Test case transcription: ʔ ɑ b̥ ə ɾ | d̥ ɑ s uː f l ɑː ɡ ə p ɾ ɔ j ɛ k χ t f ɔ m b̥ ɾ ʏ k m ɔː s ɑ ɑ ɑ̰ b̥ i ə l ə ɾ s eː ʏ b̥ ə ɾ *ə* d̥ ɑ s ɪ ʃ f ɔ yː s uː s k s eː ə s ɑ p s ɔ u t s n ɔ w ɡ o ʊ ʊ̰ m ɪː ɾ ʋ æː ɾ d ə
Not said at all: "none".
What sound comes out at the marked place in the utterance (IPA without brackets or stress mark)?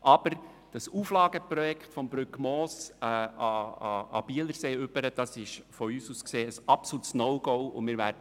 ə